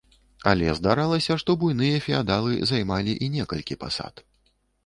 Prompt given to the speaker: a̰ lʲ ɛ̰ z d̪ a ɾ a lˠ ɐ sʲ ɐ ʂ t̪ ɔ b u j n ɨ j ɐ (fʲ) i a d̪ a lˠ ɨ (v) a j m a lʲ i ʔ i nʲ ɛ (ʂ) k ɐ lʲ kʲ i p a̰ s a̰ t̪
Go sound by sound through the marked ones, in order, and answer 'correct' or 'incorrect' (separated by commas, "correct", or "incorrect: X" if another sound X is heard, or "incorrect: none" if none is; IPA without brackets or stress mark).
correct, incorrect: z, incorrect: none